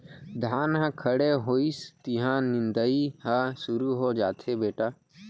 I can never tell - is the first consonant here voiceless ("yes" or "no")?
no